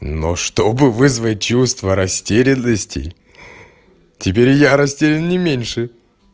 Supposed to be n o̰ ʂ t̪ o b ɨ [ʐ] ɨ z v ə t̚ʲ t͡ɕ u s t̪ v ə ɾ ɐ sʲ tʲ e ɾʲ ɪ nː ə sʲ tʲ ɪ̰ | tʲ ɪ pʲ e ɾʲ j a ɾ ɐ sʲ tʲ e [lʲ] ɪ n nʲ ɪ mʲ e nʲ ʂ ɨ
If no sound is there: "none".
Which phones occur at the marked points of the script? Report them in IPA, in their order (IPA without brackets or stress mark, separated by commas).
v, ɾʲ